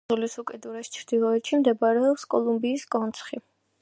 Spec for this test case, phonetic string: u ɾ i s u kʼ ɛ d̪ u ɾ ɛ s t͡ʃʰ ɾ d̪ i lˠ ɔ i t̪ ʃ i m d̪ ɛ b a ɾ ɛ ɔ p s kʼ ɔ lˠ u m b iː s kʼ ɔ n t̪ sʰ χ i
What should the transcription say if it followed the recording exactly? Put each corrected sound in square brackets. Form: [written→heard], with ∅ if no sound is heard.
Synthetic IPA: u [ɾ→l] i s u kʼ ɛ d̪ u ɾ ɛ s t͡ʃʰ ɾ d̪ i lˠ ɔ [i→ɛ] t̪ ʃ i m d̪ ɛ b a ɾ ɛ ɔ p s kʼ ɔ lˠ u m b iː s kʼ ɔ n t̪ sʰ χ i